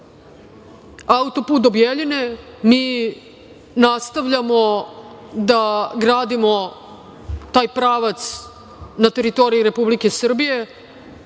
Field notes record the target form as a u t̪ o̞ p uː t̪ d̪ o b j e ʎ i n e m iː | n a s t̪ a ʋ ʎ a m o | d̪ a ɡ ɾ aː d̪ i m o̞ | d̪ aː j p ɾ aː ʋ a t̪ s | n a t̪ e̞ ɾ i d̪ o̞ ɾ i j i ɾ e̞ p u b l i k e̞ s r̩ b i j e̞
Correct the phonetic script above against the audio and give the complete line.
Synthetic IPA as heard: a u t̪ o̞ p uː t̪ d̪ o b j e ʎ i n e m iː | n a s t̪ a ʋ ʎ a m o | d̪ a ɡ ɾ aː d̪ i m o̞ | t̪ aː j p ɾ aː ʋ a t̪ s | n a t̪ e̞ ɾ i t̪ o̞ ɾ i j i ɾ e̞ p u b l i k e̞ s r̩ b i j e̞